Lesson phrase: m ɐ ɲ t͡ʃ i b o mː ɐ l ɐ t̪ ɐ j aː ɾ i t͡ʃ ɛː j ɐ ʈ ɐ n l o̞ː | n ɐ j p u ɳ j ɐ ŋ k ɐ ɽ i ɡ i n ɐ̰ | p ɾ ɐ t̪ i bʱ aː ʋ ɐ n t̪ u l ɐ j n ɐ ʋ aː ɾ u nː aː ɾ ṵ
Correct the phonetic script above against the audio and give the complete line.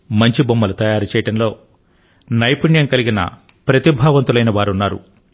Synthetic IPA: m ɐ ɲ t͡ʃ i b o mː ɐ l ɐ t̪ ɐ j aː ɾ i t͡ʃ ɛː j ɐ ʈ ɐ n l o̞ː | n ɐ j p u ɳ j ɐ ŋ k ɐ l i ɡ i n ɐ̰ | p ɾ ɐ t̪ i bʱ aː ʋ ɐ n t̪ u l ɐ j n ɐ ʋ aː ɾ u nː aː ɾ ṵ